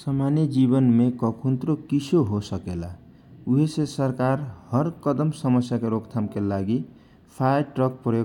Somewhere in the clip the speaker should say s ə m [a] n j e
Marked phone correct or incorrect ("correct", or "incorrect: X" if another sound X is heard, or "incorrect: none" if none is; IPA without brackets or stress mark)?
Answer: correct